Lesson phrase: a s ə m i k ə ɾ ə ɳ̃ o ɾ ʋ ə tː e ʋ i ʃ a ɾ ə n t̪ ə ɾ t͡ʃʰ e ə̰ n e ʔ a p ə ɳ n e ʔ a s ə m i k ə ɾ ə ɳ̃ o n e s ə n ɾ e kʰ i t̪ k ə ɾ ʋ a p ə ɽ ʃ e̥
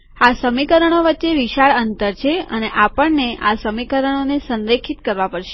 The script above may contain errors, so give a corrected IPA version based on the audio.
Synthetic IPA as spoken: a s ə m i k ə ɾ ə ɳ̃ o ʋ ə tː e ʋ i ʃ a ɭ ə n t̪ ə ɾ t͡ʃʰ e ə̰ n e ʔ a p ə ɳ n e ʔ a s ə m i k ə ɾ ə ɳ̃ o n e s ə n ɾ e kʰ i t̪ k ə ɾ ʋ a p ə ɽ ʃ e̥